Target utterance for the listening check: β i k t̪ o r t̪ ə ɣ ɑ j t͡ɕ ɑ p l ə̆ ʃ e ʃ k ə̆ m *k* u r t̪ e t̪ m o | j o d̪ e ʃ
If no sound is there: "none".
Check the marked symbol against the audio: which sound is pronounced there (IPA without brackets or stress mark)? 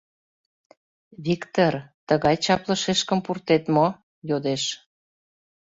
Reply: p